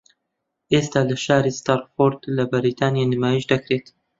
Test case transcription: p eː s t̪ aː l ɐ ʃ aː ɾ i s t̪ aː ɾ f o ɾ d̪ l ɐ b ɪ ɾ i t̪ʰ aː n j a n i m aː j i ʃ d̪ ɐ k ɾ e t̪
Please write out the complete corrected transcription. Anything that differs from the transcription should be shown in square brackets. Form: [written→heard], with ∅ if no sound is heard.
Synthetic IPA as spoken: [p→ʔ] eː s t̪ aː l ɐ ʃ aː ɾ i s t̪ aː ɾ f o ɾ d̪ l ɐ b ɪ ɾ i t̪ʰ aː n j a n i m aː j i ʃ d̪ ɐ k ɾ e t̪